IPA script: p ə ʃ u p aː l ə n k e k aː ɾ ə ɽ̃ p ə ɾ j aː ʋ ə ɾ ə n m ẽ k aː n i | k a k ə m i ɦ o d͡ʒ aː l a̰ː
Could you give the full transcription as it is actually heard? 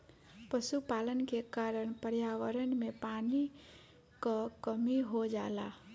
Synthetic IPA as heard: p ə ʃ u p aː l ə n k e k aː ɾ ə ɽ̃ p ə ɾ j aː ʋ ə ɾ ə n m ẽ p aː n i | k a k ə m i ɦ o d͡ʒ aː l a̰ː